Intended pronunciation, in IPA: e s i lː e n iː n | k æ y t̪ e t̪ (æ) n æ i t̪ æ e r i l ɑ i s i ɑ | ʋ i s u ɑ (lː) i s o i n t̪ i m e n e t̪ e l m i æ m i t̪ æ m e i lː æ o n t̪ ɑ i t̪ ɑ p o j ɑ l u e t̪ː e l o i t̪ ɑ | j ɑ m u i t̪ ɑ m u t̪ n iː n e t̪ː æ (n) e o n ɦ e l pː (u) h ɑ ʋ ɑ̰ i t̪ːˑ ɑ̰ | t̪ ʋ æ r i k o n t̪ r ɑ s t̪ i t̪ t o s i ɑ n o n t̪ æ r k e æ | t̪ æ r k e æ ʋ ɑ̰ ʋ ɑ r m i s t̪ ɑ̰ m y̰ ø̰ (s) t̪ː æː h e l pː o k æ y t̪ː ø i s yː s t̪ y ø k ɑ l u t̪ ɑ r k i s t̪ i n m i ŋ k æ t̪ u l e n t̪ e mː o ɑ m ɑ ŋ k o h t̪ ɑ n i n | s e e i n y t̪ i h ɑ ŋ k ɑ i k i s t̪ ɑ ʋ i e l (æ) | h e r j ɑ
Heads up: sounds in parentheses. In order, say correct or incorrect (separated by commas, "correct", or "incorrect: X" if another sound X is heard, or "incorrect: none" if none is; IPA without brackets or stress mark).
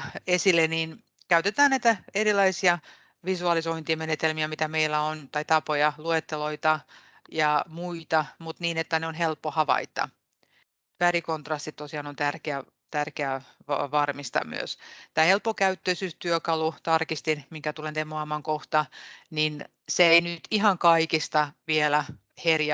incorrect: æː, incorrect: l, correct, incorrect: o, correct, correct